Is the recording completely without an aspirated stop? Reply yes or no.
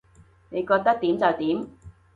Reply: yes